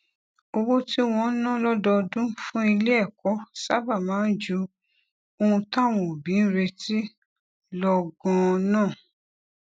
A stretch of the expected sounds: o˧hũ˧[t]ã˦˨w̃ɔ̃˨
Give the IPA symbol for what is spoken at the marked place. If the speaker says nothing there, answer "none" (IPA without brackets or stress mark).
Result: t